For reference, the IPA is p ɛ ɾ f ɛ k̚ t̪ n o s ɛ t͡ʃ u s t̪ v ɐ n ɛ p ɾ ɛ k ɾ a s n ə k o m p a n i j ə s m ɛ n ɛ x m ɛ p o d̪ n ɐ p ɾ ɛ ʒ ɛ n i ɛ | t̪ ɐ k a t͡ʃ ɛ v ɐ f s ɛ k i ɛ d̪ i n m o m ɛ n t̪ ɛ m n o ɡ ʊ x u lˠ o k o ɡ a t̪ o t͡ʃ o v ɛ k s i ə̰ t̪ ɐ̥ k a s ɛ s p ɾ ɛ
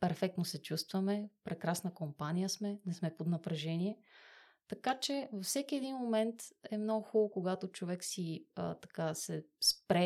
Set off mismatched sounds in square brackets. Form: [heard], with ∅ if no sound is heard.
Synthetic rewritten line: p ɛ ɾ f ɛ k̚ t̪ n o s ɛ t͡ʃ u s t̪ v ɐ [m] ɛ p ɾ ɛ k ɾ a s n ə k o m p a n i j ə s m ɛ n ɛ [s] m ɛ p o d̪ n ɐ p ɾ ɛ ʒ ɛ n i ɛ | t̪ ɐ k a t͡ʃ ɛ v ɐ f s ɛ k i ɛ d̪ i n m o m ɛ n t̪ ɛ m n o ɡ ʊ x u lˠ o k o ɡ a t̪ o t͡ʃ o v ɛ k s i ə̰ t̪ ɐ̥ k a s ɛ s p ɾ ɛ